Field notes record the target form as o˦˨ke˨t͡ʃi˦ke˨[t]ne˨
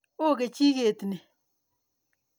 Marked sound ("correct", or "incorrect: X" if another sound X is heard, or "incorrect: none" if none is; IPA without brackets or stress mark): correct